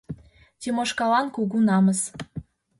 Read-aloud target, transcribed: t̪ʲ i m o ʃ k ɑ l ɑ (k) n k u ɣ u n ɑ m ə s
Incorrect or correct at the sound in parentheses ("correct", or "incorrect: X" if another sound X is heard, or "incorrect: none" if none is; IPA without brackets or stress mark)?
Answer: incorrect: none